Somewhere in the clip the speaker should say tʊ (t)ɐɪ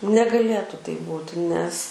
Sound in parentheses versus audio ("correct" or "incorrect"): correct